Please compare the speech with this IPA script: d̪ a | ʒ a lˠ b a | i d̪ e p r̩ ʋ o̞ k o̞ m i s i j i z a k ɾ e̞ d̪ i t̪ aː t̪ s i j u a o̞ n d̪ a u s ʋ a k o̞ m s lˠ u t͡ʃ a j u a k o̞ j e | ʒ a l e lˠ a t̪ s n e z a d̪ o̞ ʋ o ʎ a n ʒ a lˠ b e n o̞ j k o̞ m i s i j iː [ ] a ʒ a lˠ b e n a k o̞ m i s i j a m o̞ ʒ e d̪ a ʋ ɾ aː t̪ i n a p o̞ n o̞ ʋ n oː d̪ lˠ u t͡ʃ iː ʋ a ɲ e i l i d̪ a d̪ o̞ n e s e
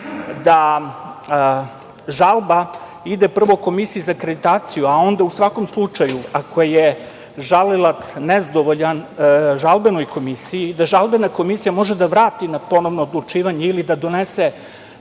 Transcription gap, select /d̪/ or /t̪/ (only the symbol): d̪